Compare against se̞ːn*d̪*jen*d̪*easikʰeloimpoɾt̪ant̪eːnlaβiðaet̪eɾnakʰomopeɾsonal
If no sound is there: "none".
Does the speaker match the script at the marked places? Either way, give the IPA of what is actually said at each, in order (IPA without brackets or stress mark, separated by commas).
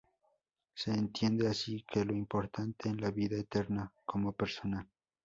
t̪, d̪